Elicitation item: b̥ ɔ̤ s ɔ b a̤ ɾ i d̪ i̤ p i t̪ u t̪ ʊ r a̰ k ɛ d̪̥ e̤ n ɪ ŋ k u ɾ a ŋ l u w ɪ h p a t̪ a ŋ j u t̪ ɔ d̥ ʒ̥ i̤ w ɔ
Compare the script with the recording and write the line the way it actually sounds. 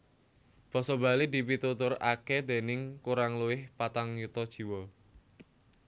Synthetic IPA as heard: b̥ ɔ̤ s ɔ b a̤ l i d̪ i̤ p i t̪ u t̪ ʊ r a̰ k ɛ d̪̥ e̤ n ɪ ŋ k u ɾ a ŋ l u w ɪ h p a t̪ a ŋ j u t̪ ɔ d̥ ʒ̥ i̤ w ɔ